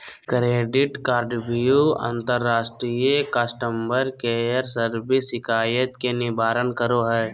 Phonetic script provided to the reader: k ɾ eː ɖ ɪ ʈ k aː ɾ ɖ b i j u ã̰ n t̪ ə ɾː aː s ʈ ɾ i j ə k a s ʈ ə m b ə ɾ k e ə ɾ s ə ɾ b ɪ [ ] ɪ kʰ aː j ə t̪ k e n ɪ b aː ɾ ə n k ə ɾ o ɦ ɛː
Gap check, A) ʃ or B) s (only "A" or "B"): B